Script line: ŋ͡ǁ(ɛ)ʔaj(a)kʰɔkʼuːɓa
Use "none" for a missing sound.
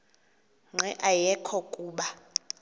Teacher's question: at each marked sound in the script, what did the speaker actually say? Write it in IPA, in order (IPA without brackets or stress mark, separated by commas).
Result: ɛ, ɛ